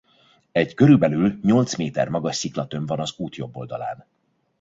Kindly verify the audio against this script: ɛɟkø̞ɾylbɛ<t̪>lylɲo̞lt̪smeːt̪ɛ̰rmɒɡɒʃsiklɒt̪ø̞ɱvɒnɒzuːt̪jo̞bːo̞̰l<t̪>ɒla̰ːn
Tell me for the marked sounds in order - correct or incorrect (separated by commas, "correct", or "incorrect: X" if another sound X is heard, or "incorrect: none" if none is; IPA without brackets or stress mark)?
incorrect: none, incorrect: d̪